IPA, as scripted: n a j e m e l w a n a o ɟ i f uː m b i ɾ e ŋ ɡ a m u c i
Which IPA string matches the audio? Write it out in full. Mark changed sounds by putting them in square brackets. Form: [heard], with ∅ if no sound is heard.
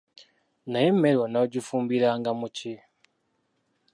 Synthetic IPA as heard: n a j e m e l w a n a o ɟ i f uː m b i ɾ [a] ŋ ɡ a m u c i